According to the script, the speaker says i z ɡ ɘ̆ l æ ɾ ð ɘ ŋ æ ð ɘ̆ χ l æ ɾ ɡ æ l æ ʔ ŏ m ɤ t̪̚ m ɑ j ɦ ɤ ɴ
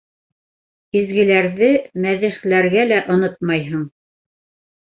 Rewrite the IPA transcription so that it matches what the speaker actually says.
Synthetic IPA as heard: i z ɡ ɘ̆ l æ ɾ ð ɘ m æ ð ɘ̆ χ l æ ɾ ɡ æ l æ ʔ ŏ n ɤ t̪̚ m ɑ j ɦ ɤ ɴ